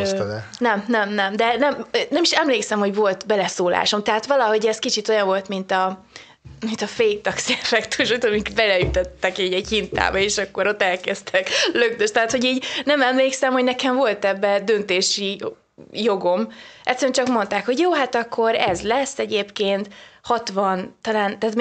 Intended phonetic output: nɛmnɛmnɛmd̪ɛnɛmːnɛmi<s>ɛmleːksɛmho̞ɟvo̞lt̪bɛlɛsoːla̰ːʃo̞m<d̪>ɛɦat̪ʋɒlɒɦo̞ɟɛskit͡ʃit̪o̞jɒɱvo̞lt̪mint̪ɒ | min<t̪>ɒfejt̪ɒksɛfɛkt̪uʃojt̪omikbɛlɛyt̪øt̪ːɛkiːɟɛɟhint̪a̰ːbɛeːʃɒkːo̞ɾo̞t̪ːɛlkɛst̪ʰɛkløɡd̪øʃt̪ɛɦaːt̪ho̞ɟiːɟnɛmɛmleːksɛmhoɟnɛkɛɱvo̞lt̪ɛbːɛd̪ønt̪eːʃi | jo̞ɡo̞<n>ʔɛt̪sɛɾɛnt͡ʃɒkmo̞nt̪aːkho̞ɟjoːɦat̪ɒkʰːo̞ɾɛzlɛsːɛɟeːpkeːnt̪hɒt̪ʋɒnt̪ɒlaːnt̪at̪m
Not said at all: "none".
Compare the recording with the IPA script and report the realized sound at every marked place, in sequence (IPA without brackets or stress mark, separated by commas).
ʃ, t̪, t̪, m